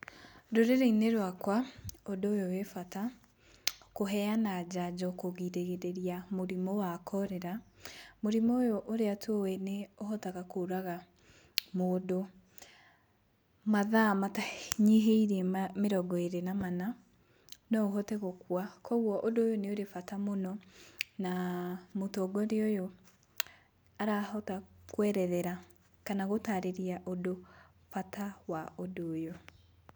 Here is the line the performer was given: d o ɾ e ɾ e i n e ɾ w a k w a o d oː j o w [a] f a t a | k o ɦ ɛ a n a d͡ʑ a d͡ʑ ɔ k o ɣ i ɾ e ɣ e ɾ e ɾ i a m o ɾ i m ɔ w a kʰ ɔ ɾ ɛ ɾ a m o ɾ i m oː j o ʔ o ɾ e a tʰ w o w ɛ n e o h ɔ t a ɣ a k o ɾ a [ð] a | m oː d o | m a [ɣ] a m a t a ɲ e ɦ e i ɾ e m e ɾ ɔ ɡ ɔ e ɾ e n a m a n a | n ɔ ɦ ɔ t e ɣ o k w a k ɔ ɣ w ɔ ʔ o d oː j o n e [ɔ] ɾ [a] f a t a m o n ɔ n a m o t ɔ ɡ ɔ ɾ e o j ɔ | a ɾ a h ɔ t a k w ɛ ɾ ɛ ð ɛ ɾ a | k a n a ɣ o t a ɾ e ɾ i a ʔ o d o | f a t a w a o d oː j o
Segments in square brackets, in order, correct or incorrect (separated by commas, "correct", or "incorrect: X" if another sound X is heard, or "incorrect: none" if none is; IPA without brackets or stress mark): incorrect: e, incorrect: ɣ, incorrect: ð, incorrect: o, incorrect: e